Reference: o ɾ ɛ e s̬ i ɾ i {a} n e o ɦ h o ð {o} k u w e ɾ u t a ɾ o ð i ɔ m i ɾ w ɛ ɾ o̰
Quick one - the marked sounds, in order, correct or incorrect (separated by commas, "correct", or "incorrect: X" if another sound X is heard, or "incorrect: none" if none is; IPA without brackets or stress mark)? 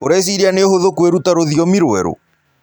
correct, correct